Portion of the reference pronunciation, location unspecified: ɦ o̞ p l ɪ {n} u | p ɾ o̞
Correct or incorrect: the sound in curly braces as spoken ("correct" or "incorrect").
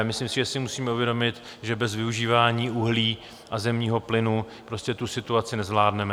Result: correct